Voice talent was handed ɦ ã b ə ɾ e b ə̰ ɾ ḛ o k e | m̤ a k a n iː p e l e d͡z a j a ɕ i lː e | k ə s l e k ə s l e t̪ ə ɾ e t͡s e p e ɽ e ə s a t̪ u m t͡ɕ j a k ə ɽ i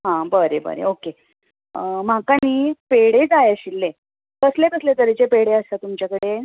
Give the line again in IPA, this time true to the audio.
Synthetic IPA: ɦ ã b ə ɾ e b ə̰ ɾ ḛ o k e | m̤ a k a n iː p e ɽ e d͡z a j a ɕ i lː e | k ə s l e k ə s l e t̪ ə ɾ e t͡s e p e ɽ e ə s a t̪ u m t͡ɕ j a k ə ɽ e